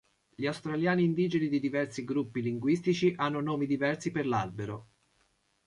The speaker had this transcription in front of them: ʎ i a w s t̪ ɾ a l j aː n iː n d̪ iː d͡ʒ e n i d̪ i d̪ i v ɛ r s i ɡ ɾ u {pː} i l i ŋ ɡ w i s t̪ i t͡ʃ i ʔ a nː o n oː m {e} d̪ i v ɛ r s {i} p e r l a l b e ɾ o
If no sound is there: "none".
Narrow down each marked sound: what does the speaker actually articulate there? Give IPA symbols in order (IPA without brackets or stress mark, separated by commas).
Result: pː, i, i